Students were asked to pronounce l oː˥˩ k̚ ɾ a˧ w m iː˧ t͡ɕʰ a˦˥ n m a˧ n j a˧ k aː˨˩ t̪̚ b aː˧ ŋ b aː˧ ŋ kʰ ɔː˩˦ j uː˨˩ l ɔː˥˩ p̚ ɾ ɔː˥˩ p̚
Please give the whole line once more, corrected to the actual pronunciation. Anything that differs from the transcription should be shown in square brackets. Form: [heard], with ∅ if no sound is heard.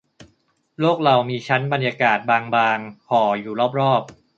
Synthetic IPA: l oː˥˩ k̚ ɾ a˧ w m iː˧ t͡ɕʰ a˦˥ n [b] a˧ n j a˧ k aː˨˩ t̪̚ b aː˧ ŋ b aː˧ ŋ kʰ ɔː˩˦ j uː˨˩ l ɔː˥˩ p̚ ɾ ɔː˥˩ p̚

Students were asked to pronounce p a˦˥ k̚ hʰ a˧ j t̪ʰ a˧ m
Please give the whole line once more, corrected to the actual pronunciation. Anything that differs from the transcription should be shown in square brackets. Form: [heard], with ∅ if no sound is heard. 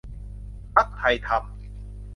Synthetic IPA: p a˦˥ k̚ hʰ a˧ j t̪ʰ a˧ m

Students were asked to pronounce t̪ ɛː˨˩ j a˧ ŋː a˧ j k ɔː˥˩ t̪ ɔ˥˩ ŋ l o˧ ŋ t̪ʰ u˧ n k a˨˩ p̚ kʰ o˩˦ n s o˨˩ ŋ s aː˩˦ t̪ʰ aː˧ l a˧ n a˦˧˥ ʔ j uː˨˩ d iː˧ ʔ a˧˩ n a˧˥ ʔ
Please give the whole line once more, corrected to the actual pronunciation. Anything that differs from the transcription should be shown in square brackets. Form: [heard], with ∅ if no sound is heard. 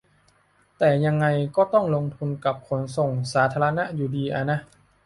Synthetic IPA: t̪ ɛː˨˩ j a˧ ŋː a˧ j k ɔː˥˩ t̪ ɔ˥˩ ŋ l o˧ ŋ t̪ʰ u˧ n k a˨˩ p̚ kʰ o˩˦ n s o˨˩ ŋ s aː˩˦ t̪ʰ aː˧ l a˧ n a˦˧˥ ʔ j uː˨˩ d iː˧ ʔ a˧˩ n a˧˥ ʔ

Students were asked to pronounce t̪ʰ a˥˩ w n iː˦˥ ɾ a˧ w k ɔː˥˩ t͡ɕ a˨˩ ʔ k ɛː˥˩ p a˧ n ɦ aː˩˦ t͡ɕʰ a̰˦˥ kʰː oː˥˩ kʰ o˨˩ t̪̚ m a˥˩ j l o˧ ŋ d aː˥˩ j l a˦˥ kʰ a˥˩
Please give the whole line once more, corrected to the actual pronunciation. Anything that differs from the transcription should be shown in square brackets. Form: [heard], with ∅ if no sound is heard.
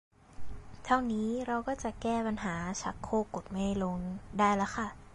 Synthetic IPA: t̪ʰ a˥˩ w n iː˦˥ ɾ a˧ w k ɔː˥˩ t͡ɕ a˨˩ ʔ k ɛː˥˩ p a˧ n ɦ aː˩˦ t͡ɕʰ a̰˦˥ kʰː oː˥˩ [k] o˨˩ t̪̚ m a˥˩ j l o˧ ŋ d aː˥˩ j l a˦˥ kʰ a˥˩

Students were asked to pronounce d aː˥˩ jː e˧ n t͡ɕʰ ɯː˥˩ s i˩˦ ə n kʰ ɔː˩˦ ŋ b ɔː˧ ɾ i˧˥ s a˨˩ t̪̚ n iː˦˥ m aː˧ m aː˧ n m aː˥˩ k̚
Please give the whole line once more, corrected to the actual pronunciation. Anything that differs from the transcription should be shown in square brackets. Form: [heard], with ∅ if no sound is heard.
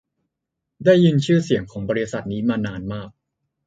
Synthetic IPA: d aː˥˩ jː [i˧] n t͡ɕʰ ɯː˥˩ s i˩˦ ə [ŋ] kʰ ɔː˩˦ ŋ b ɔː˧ ɾ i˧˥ s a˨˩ t̪̚ n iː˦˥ m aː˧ [n] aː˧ n m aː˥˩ k̚

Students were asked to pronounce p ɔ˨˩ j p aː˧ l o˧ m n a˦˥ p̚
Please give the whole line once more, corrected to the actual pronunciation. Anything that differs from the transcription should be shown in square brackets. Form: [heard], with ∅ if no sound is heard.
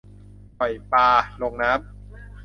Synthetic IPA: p ɔ˨˩ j p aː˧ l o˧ [ŋ] n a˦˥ p̚

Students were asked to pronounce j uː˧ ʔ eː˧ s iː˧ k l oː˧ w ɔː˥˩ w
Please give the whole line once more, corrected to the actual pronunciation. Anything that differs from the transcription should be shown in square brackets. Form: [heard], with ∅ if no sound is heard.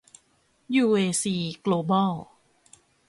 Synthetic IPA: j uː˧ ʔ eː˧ s iː˧ k l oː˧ [b] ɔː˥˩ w

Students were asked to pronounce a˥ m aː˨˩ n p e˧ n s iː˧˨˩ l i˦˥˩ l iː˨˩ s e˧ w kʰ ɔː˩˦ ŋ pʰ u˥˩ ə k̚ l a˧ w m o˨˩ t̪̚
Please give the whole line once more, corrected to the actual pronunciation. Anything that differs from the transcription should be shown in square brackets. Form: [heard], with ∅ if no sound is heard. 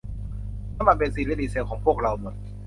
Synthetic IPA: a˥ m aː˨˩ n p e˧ n s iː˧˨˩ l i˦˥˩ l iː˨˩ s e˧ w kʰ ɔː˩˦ ŋ pʰ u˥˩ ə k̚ [ɾ] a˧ w m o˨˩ t̪̚

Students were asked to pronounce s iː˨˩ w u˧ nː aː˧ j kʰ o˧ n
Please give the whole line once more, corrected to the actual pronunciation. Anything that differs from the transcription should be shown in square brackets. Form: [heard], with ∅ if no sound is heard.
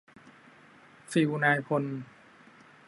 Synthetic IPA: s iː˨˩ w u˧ [n] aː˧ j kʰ o˧ n

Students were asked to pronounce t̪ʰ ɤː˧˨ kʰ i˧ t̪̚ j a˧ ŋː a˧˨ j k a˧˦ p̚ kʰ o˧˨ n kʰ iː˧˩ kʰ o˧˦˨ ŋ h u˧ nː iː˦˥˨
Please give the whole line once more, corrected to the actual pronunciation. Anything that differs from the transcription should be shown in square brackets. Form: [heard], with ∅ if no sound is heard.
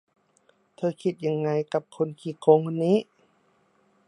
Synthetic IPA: t̪ʰ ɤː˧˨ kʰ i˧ t̪̚ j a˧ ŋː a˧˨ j k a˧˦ p̚ kʰ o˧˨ n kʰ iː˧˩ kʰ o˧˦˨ ŋ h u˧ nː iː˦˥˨

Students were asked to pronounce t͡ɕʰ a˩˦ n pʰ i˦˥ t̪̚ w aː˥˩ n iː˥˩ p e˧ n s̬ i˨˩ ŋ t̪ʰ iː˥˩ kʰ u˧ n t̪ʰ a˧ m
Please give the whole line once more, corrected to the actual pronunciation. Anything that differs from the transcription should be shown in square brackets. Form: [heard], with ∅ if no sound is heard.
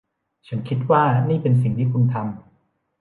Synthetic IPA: t͡ɕʰ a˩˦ n [kʰ] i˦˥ t̪̚ w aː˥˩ n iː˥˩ p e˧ n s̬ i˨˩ ŋ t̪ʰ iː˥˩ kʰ u˧ n t̪ʰ a˧ m

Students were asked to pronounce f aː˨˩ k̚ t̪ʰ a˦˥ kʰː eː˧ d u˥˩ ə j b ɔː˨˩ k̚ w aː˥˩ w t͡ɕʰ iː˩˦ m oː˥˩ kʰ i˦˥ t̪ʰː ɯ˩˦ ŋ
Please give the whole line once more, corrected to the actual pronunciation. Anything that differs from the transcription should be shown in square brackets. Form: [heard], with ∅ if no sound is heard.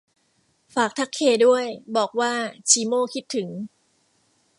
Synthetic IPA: f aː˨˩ k̚ t̪ʰ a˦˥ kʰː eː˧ d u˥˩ ə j b ɔː˨˩ k̚ w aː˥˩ [∅] t͡ɕʰ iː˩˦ m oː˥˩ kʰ i˦˥ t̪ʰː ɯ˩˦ ŋ

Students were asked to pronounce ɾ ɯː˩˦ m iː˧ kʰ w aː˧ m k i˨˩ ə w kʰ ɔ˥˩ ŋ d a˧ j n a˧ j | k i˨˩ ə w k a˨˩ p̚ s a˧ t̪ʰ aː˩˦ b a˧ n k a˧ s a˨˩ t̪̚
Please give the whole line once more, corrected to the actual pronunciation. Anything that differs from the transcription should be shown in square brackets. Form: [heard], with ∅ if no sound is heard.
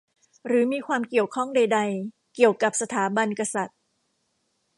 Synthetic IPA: ɾ ɯː˩˦ m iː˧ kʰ w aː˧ m k i˨˩ ə w kʰ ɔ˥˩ ŋ d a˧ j [d] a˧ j | k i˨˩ ə w k a˨˩ p̚ s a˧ t̪ʰ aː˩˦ b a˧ n k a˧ s a˨˩ t̪̚

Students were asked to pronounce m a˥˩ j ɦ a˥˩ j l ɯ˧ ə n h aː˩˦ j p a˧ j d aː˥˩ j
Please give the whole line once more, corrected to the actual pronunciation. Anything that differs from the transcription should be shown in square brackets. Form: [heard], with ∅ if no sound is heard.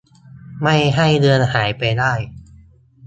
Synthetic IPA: m a˥˩ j ɦ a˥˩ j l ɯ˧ ə n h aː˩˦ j p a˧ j d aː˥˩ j

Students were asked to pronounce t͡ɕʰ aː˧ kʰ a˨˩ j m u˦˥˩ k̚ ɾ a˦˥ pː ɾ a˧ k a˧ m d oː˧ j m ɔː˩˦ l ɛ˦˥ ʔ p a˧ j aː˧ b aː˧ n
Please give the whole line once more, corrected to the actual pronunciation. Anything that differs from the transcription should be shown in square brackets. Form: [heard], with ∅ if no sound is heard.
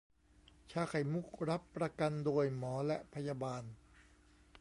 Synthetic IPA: t͡ɕʰ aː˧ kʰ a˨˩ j m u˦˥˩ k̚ ɾ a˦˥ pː ɾ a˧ k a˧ [n] d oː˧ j m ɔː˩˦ l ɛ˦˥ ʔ [pʰ] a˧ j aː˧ b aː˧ n

